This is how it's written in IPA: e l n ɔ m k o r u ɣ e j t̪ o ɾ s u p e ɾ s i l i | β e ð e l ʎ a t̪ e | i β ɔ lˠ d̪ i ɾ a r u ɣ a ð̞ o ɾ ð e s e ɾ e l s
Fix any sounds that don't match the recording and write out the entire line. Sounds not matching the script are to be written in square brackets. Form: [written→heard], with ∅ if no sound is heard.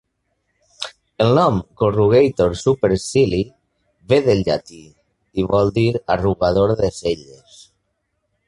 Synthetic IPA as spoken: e l n ɔ m k o r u ɣ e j t̪ o ɾ s u p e ɾ s i l i | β e ð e l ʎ a t̪ [e→i] | i β ɔ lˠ d̪ i ɾ a r u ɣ a ð̞ o ɾ ð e s e [ɾ→ʎ] e [l→∅] s